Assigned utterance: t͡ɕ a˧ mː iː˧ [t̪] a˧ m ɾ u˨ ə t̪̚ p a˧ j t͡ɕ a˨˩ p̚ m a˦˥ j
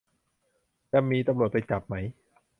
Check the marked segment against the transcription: correct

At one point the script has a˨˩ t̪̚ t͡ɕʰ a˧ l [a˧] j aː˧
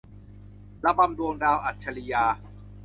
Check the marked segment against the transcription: incorrect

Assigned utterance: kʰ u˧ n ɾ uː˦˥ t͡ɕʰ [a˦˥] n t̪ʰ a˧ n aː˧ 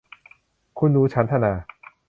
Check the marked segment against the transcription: correct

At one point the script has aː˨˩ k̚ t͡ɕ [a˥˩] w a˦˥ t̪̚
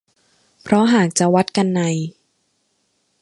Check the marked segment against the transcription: incorrect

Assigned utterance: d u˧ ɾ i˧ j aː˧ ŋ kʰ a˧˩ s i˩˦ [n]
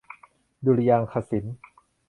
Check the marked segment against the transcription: correct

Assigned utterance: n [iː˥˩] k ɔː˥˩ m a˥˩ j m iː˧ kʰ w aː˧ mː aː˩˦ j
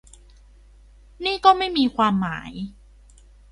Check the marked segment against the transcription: correct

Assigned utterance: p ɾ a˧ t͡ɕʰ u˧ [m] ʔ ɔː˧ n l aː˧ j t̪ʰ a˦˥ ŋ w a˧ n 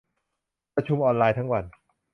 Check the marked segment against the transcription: correct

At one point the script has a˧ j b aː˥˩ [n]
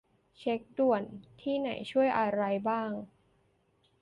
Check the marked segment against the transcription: incorrect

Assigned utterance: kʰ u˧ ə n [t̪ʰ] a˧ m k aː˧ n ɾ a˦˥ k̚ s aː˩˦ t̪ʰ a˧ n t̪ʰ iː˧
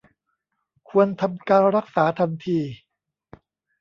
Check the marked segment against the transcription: correct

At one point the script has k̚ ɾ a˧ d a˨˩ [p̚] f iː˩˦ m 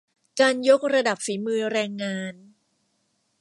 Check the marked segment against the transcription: correct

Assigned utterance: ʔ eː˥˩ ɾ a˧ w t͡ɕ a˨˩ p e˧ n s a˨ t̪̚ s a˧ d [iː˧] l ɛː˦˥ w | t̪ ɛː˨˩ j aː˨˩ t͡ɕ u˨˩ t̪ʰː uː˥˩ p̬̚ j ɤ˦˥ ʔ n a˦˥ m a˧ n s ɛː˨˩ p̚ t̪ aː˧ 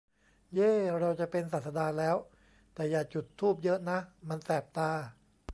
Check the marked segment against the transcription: incorrect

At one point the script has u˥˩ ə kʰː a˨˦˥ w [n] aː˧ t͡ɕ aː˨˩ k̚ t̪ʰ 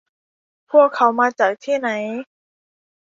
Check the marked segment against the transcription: incorrect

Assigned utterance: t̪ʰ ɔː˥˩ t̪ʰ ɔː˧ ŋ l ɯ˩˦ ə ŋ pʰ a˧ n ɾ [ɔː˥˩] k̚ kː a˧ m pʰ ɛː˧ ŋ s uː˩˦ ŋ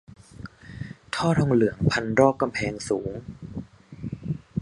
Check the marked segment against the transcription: correct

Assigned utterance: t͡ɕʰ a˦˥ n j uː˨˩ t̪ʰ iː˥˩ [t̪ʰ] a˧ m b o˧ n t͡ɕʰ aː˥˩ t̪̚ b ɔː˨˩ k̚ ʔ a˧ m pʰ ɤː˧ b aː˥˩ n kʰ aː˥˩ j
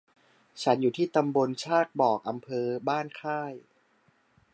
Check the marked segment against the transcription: incorrect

